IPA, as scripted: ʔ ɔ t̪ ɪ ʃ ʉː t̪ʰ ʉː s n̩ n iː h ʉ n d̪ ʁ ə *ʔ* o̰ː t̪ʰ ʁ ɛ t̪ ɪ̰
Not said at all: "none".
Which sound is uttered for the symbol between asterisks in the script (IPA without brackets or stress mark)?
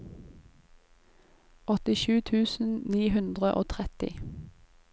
ʔ